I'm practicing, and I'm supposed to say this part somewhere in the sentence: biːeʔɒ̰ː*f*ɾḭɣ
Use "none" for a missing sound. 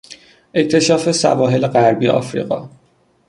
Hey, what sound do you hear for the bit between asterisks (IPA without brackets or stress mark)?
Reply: f